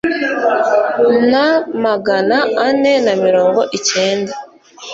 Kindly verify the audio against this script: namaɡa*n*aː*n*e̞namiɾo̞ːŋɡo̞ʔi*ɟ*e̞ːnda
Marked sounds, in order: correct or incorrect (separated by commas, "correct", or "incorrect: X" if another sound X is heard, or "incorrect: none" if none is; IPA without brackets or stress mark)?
correct, correct, incorrect: c